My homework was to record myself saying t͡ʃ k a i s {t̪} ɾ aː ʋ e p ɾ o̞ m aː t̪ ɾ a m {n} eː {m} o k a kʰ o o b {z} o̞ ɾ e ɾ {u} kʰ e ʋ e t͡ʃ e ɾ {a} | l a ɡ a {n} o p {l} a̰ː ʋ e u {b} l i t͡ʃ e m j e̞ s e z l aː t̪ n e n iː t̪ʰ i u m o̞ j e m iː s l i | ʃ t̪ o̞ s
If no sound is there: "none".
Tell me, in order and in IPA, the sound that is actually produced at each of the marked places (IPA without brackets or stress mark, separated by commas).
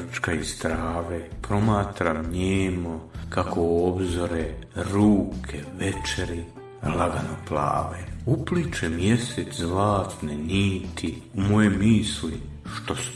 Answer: t̪, ɲ, m, z, uː, i, n, l, p